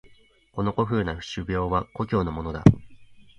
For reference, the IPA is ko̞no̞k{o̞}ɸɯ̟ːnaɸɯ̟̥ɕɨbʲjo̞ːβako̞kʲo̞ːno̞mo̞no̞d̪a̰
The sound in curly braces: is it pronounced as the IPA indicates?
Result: yes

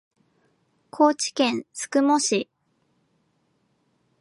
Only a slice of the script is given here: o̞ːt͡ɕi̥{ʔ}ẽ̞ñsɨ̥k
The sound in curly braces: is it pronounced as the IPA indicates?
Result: no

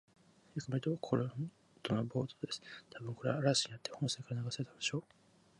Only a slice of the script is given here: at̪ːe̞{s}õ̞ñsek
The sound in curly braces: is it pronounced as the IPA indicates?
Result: no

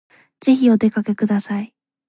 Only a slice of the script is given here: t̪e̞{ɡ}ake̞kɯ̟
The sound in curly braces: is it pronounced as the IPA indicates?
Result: no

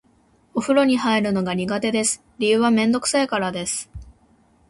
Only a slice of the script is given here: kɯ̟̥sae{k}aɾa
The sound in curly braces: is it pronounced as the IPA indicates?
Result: yes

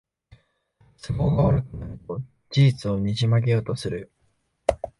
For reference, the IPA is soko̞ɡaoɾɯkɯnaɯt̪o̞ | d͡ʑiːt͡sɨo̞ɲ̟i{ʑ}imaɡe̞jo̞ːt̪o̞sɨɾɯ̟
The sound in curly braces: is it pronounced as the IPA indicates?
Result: yes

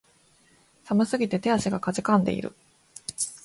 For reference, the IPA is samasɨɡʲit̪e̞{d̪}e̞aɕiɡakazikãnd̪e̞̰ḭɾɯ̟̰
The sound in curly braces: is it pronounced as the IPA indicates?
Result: no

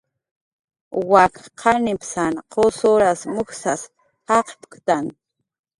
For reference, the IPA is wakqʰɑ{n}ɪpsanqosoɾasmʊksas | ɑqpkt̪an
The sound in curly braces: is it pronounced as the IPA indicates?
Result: yes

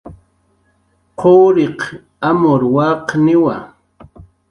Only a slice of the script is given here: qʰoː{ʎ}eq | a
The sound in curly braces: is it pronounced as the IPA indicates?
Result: no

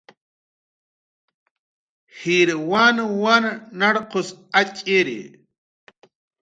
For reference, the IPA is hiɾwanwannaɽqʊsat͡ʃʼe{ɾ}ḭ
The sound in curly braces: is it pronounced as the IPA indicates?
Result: yes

